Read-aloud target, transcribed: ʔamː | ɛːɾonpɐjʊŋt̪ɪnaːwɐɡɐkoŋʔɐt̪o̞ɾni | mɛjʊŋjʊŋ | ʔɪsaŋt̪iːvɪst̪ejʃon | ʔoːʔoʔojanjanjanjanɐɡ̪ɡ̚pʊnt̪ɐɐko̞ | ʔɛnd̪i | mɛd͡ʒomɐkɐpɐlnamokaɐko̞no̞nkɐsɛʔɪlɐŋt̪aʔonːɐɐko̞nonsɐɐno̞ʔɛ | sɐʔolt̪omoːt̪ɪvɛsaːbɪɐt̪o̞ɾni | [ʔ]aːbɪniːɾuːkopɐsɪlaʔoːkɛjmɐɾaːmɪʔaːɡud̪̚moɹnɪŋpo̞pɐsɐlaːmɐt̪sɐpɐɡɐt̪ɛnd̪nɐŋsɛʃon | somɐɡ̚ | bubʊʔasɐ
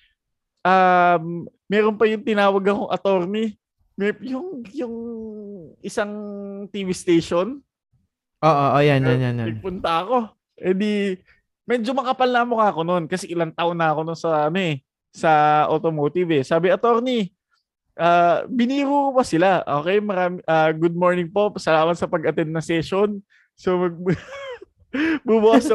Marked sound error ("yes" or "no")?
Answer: no